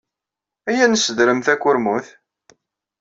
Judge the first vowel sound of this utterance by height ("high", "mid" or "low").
low